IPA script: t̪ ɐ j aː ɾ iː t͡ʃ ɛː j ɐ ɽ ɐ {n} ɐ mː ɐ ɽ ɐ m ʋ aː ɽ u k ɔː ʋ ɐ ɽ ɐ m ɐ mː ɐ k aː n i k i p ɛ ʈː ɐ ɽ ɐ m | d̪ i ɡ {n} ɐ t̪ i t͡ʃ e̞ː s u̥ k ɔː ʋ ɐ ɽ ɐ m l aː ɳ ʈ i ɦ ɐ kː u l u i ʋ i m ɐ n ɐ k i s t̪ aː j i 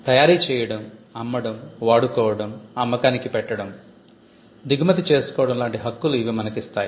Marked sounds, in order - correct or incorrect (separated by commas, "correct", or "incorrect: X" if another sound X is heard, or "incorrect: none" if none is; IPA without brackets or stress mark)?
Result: incorrect: m, incorrect: m